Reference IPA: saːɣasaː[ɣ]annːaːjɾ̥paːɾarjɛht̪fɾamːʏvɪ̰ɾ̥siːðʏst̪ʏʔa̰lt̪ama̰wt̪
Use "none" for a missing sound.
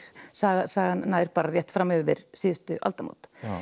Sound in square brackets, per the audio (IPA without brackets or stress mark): ɣ